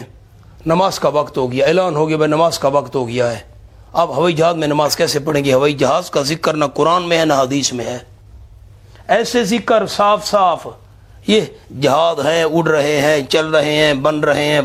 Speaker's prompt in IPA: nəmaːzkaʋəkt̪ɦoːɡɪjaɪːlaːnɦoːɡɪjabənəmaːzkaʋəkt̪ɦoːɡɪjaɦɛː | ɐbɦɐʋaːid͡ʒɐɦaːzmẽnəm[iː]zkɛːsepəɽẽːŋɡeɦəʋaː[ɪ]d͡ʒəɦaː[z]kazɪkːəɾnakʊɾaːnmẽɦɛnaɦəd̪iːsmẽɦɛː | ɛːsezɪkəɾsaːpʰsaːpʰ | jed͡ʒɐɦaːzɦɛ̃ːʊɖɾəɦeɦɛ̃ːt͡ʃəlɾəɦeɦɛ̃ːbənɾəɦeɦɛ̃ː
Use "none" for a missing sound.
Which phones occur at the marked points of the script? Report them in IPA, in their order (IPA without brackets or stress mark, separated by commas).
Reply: aː, i, z